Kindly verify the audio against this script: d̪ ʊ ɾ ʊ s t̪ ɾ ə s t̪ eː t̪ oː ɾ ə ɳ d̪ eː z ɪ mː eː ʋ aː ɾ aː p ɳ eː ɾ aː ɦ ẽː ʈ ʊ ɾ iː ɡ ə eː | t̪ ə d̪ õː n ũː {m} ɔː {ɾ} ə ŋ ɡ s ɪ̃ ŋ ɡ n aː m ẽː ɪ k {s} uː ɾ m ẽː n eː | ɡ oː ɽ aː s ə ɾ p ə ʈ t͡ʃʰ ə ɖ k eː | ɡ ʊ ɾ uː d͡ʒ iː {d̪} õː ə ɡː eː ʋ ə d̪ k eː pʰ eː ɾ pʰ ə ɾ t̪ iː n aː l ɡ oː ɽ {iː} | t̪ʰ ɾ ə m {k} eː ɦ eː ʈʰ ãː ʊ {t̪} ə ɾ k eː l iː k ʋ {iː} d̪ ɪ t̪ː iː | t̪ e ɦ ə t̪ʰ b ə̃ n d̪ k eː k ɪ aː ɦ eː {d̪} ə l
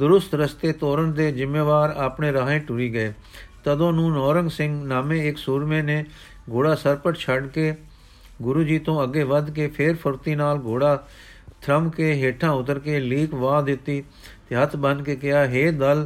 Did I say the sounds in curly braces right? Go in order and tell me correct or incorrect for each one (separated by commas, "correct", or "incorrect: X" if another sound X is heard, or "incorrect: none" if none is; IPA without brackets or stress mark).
incorrect: n, correct, correct, incorrect: t̪, incorrect: aː, correct, correct, incorrect: aː, correct